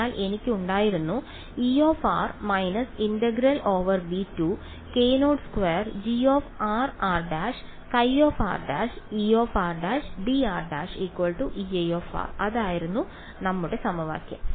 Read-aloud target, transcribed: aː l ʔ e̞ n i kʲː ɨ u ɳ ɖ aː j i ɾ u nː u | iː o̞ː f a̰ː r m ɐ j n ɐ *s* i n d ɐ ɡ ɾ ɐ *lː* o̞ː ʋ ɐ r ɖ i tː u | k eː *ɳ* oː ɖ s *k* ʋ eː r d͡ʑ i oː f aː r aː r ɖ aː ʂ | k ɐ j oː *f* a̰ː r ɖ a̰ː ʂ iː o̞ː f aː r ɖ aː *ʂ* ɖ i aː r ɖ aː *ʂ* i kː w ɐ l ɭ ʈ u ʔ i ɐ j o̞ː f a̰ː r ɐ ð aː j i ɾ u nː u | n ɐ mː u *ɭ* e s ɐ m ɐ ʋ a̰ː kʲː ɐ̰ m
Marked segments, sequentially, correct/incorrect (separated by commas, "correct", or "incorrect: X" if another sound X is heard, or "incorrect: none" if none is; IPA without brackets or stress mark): correct, incorrect: l, incorrect: n, correct, correct, correct, correct, incorrect: ɽ